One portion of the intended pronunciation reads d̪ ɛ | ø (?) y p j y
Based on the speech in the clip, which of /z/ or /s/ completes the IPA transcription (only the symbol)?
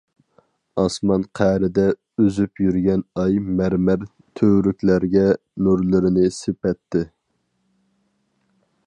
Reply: z